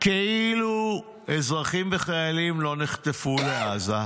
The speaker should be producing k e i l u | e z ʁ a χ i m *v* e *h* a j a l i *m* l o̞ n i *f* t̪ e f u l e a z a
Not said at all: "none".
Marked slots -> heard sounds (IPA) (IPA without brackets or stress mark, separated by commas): v, χ, m, χ